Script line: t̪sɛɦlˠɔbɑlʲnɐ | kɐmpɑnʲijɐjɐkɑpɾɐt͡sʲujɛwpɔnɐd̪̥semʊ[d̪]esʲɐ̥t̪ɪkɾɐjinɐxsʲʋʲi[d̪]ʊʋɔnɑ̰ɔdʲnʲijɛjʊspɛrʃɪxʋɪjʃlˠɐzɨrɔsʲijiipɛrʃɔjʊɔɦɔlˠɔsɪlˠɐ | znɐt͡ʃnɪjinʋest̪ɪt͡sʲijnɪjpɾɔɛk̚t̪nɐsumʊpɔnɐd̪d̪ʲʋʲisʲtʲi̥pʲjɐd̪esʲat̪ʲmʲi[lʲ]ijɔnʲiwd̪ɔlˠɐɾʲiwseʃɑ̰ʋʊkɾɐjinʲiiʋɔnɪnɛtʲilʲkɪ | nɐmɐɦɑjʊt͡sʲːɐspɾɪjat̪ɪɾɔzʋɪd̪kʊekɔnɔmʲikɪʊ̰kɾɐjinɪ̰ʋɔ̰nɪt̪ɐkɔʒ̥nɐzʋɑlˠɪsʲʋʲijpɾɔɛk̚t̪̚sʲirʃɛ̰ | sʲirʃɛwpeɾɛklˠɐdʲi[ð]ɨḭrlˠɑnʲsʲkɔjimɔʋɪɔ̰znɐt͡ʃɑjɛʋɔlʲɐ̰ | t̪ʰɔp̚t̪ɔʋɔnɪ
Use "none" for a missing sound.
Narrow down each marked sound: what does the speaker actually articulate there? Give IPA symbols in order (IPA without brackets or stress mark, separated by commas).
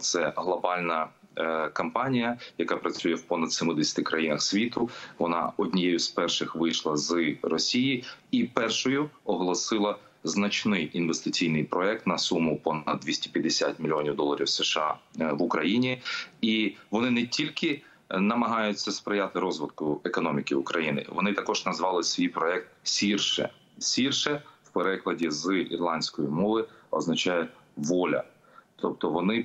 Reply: d̪, t̪, lʲ, z